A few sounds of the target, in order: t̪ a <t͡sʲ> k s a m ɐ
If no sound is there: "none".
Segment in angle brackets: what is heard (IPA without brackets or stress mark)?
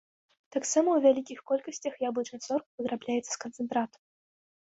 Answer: none